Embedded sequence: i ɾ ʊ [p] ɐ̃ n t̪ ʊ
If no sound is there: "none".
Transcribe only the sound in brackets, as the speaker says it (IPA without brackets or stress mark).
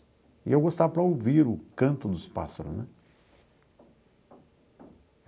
k